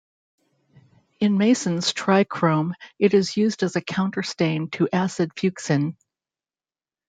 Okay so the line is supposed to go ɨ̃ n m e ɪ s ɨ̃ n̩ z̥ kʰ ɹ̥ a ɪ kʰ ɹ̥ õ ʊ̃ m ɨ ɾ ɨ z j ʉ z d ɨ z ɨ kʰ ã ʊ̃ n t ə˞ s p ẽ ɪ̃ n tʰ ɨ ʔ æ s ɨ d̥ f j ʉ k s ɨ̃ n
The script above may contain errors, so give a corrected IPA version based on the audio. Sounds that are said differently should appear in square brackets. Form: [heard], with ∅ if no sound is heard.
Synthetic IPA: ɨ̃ n m e ɪ s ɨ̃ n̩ z̥ [tʰ] ɹ̥ a ɪ kʰ ɹ̥ õ ʊ̃ m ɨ ɾ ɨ z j ʉ z d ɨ z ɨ kʰ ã ʊ̃ n t ə˞ s [t] ẽ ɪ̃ n tʰ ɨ ʔ æ s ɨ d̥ f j ʉ k s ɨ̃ n